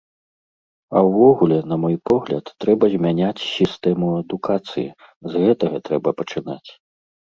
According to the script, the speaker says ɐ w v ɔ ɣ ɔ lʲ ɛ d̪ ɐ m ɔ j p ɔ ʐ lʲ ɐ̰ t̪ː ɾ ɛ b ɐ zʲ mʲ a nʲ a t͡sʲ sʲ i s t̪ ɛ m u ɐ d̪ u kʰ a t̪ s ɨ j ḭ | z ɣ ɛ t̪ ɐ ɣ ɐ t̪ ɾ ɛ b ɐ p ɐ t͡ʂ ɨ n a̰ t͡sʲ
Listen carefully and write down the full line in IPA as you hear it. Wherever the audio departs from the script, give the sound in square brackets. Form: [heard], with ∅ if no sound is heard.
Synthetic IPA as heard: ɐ w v ɔ ɣ [u] lʲ ɛ [n̪] ɐ m ɔ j p ɔ [ɣ] lʲ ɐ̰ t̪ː ɾ ɛ b ɐ zʲ mʲ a nʲ a t͡sʲ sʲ i s t̪ ɛ m u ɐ d̪ u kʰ a t̪ s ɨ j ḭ | z ɣ ɛ t̪ ɐ ɣ ɐ t̪ ɾ ɛ b ɐ p ɐ t͡ʂ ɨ n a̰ t͡sʲ